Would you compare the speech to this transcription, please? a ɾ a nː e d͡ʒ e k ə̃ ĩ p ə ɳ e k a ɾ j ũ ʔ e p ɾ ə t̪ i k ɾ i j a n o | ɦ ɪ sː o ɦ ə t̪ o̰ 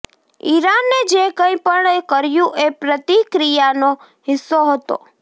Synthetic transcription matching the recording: i ɾ a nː e d͡ʒ e k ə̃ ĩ p ə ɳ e k ə ɾ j ũ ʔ e p ɾ ə t̪ i k ɾ i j a n o | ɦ ɪ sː o ɦ ə t̪ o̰